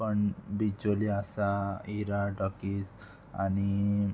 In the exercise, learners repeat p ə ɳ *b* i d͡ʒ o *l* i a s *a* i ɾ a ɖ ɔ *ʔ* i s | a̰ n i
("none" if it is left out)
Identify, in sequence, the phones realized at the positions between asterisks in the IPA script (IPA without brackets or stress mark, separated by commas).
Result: b, l, a, k